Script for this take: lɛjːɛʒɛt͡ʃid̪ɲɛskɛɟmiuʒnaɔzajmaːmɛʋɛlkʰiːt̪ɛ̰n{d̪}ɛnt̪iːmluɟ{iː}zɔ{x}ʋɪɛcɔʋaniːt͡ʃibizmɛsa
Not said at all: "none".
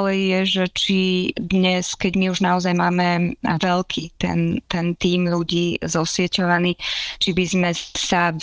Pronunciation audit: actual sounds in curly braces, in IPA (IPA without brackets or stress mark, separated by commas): t̪, iː, s